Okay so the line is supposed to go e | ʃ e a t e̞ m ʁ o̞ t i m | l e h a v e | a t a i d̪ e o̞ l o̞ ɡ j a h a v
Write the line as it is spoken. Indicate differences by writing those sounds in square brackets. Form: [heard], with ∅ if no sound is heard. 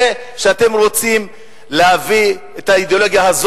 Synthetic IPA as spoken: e | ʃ e a t e̞ m ʁ o̞ [t͡s] i m | l e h a v [i] | [e] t a i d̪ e o̞ l o̞ ɡ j a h a [z]